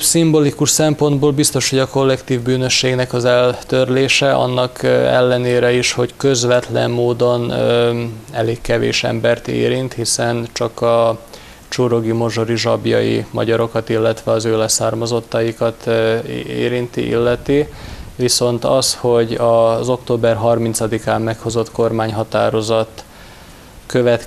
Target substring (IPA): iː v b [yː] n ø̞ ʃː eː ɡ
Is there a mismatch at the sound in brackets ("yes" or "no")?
no